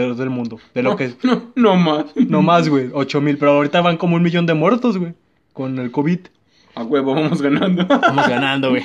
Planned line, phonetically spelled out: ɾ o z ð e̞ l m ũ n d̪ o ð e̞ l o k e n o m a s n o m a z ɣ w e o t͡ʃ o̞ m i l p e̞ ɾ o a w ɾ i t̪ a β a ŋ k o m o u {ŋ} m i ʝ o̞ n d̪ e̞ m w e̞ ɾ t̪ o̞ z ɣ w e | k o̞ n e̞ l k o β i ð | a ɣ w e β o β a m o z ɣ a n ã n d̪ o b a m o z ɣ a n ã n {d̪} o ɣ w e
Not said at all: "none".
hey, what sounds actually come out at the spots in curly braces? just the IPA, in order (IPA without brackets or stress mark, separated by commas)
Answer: n, d̪